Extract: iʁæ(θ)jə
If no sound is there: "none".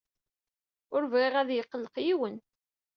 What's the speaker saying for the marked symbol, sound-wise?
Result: ð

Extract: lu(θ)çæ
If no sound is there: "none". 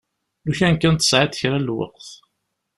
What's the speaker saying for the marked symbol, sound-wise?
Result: none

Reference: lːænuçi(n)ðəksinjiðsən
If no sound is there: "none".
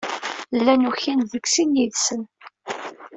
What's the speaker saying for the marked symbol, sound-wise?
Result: n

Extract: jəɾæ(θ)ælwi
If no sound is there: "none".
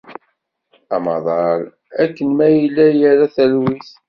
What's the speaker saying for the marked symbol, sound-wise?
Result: θ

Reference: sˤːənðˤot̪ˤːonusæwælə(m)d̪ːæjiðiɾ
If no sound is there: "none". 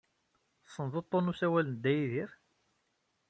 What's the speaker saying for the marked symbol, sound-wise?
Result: n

